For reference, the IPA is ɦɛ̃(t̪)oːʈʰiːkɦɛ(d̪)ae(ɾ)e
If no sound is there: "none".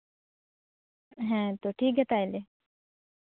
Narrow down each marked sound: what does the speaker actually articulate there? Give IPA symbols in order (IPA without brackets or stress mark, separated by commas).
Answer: t̪, t̪, l